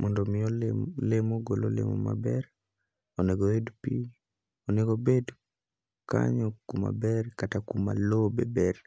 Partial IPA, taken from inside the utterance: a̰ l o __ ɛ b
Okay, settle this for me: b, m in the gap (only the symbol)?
b